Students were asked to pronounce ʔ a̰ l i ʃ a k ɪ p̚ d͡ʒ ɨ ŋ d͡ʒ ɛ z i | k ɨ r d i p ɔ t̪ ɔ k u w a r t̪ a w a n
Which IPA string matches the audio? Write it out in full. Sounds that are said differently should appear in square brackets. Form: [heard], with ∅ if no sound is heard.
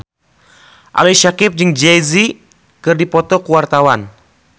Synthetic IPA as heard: ʔ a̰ l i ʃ a k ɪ p̚ d͡ʒ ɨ ŋ d͡ʒ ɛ z i | k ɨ r d i p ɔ t̪ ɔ k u w a r t̪ a w a n